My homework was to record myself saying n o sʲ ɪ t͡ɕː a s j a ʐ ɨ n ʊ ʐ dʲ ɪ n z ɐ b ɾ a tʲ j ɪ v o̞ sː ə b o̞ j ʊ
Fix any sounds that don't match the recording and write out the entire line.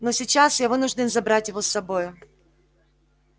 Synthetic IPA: n o sʲ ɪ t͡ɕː a s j a v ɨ n ʊ ʐ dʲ ɪ n z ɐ b ɾ a tʲ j ɪ v o̞ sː ɐ b o̞ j ʊ